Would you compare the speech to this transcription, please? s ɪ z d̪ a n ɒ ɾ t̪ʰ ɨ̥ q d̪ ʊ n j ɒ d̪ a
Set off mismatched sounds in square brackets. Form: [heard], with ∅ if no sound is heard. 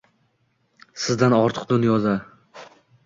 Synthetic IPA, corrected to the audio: s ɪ z d̪ a n ɒ ɾ t̪ʰ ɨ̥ q d̪ ʊ n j ɒ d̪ a